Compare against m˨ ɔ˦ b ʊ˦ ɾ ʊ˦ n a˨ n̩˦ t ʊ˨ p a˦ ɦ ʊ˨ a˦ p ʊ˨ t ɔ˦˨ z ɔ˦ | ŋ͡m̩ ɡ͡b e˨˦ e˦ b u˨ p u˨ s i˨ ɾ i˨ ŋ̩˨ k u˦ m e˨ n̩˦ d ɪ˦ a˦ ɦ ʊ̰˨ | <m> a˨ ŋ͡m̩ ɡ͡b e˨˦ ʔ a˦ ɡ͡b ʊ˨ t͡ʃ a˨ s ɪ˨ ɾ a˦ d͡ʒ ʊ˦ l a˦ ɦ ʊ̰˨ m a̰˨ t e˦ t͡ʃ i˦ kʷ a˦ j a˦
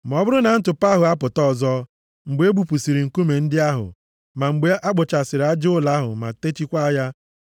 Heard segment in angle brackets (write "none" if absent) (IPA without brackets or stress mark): m